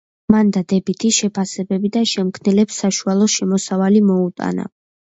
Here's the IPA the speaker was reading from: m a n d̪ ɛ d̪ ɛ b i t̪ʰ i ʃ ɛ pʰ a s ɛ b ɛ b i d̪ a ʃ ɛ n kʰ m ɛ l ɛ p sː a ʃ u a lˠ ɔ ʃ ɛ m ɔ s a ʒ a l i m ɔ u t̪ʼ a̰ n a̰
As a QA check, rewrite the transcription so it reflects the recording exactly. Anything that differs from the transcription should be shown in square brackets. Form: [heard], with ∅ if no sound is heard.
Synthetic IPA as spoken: m a n d̪ [a] d̪ ɛ b i t̪ʰ i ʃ ɛ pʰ a s ɛ b ɛ b i d̪ a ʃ ɛ [m] kʰ [n] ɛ l ɛ p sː a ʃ u a lˠ ɔ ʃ ɛ m ɔ s a [v] a l i m ɔ u t̪ʼ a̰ n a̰